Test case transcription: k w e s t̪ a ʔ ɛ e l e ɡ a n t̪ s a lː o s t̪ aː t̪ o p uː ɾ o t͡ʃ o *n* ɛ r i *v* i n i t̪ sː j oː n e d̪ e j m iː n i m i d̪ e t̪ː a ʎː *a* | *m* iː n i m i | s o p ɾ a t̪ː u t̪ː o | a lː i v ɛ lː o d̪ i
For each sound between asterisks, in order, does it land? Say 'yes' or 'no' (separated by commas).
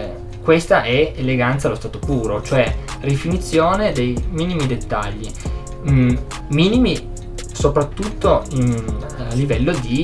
no, no, no, yes